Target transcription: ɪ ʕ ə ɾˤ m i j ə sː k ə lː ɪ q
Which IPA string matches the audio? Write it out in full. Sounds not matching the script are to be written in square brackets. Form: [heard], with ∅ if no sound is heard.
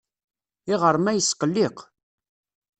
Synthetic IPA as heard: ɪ [ʁ] ə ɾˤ m [æ] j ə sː [q] ə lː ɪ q

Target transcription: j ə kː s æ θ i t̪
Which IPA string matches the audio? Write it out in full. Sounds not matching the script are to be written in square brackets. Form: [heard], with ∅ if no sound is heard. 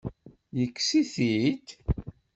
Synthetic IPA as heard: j ə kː s [i] θ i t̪

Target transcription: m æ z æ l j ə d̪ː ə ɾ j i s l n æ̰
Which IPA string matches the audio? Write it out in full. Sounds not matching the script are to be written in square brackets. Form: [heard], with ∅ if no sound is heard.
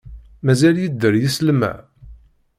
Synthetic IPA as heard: m æ z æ l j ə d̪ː ə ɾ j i s l [m] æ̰

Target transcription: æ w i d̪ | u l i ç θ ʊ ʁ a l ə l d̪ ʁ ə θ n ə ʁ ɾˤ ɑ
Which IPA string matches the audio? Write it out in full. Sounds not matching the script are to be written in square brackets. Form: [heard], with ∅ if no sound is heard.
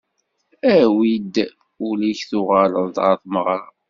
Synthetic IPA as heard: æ w i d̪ | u l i ç θ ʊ ʁ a l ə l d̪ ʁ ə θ [m] ə ʁ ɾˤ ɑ

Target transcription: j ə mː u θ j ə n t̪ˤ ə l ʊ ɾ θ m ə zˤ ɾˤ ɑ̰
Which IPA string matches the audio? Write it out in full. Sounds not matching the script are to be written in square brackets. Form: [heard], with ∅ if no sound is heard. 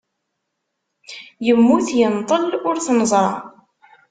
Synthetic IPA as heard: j ə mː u θ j ə n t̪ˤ ə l ʊ ɾ θ [n] ə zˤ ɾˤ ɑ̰

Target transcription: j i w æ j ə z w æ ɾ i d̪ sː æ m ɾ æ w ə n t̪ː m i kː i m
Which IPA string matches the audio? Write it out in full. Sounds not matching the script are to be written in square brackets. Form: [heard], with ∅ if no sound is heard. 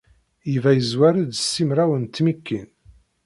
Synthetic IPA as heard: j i [v] æ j ə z w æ ɾ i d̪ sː [i] m ɾ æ w ə n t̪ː m i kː i [n]

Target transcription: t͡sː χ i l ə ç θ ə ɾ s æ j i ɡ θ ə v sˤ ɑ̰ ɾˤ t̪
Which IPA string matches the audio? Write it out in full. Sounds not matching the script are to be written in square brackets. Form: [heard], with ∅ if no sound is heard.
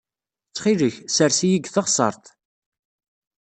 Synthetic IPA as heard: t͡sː χ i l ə ç [s] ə ɾ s [i] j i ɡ θ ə [ʁ] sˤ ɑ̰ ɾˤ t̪

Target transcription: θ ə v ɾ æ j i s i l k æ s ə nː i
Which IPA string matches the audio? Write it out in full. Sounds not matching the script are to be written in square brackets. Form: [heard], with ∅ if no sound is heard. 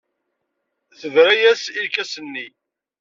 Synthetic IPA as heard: θ ə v ɾ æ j [æ] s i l k æ s ə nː i

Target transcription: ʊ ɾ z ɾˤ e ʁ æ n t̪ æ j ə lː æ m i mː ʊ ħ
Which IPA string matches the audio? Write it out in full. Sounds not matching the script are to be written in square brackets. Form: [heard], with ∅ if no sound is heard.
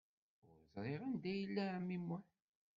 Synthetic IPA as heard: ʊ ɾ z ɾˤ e ʁ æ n [d̪] æ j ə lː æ m i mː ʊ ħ

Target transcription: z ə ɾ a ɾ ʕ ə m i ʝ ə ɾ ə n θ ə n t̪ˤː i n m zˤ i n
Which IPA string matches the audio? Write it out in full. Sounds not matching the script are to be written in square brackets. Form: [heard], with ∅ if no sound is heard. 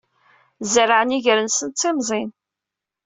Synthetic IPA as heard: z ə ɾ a [∅] ʕ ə [n] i ʝ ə ɾ ə n [s] ə n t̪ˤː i [∅] m zˤ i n

